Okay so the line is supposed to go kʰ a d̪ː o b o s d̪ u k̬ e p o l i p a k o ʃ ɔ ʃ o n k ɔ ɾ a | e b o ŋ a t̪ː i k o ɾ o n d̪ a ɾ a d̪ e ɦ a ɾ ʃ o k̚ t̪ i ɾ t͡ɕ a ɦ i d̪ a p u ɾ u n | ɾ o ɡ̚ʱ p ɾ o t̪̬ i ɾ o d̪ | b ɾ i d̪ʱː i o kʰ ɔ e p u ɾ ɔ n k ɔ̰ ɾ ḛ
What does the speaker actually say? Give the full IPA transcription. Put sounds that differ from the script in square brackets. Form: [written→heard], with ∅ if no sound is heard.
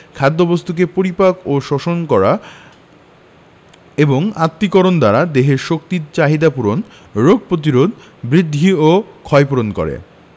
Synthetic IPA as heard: kʰ a d̪ː o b o s [d̪→t̪] u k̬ e p o [l→ɾ] i p a k o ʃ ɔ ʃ o n k ɔ ɾ a | e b o ŋ a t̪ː i k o ɾ o n d̪ a ɾ a d̪ e ɦ [a→e] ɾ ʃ o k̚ t̪ i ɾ t͡ɕ a ɦ i d̪ a p u ɾ [u→o] n | ɾ o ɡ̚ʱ p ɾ o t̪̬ i ɾ o d̪ | b ɾ i d̪ʱː i o kʰ ɔ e p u ɾ [ɔ→o] n k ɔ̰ ɾ ḛ